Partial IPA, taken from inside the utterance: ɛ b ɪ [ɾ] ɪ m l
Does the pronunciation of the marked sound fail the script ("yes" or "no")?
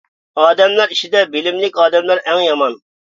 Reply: yes